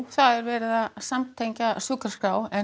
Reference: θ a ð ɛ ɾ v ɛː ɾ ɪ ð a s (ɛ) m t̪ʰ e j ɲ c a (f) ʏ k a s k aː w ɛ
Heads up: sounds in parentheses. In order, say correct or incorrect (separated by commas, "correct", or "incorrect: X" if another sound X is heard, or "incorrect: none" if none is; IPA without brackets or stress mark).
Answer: incorrect: a, incorrect: s